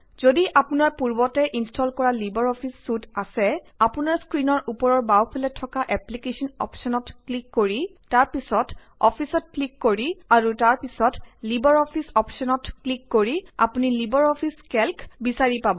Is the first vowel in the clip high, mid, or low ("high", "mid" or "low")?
mid